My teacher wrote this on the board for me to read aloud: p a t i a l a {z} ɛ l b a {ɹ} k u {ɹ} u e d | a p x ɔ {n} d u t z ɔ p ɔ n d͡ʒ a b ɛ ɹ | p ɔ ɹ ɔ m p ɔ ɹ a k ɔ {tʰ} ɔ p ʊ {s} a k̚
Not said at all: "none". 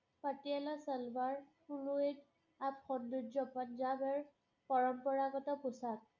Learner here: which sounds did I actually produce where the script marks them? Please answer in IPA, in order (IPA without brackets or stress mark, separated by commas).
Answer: s, ɹ, l, n, t, s